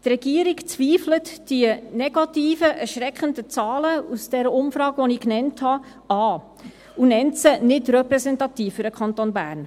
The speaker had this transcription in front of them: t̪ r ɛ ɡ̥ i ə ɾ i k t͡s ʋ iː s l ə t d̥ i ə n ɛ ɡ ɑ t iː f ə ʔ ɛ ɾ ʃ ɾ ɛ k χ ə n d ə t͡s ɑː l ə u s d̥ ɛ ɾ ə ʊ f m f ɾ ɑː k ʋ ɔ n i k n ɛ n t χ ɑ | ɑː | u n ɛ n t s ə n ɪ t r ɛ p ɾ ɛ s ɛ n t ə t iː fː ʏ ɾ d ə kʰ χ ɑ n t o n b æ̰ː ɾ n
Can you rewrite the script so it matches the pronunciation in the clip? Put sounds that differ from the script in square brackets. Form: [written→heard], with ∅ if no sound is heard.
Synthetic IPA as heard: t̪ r ɛ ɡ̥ i ə ɾ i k t͡s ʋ iː [s→f] l ə t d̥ i ə n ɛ ɡ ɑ t iː f ə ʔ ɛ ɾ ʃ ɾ ɛ k χ ə n d ə t͡s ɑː l ə u s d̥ ɛ ɾ ə ʊ [f→∅] m f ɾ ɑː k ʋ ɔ n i k n ɛ n t [χ→h] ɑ | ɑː | u n ɛ n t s ə n ɪ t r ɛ p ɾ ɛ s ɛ n t [ə→ɑ] t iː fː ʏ ɾ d ə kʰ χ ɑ n t o n b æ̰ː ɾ n